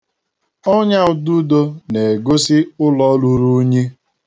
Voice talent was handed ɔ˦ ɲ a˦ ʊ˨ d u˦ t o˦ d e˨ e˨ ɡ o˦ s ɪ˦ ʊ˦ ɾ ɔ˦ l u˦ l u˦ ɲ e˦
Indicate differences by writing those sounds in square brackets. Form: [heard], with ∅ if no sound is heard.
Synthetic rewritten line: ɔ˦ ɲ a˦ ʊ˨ d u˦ [d] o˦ [n] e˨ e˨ ɡ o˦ s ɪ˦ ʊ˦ [l] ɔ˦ l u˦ [ɾ] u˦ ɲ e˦